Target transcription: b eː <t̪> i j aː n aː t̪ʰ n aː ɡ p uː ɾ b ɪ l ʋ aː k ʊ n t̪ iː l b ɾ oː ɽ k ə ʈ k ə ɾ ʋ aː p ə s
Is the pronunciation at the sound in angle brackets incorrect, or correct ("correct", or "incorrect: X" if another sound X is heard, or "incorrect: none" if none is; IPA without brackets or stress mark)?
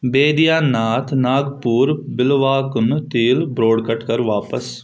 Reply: incorrect: d̪